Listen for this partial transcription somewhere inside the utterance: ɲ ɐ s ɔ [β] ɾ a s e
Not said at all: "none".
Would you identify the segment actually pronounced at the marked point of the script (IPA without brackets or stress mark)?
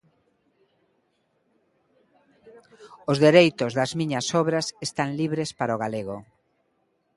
β